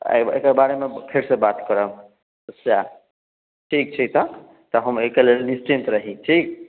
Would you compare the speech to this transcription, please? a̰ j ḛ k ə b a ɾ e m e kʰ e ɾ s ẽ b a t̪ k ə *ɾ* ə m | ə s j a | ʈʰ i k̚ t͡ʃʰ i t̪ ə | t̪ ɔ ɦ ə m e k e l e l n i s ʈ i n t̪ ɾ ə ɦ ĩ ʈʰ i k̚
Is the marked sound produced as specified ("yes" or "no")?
yes